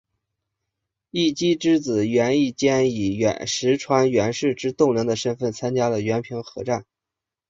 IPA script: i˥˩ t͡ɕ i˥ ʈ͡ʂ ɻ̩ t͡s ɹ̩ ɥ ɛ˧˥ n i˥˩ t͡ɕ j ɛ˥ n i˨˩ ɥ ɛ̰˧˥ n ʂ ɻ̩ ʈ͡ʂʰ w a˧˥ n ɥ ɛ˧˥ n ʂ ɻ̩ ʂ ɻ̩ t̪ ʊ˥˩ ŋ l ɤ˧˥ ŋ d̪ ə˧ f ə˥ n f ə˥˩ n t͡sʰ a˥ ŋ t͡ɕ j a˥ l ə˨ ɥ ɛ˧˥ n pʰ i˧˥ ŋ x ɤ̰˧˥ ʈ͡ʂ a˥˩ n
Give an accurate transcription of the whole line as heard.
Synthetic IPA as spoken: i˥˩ t͡ɕ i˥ ʈ͡ʂ ɻ̩ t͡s ɹ̩ ɥ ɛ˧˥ n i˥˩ t͡ɕ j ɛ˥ n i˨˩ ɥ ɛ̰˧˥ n ʂ ɻ̩ ʈ͡ʂʰ w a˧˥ n ɥ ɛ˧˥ n ʂ ɻ̩ ʈ͡ʂ ɻ̩ t̪ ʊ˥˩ ŋ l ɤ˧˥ ŋ d̪ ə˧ ʂ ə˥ n f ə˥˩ n t͡sʰ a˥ n t͡ɕ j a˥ l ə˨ ɥ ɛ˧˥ n pʰ i˧˥ ŋ x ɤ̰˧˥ ʈ͡ʂ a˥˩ n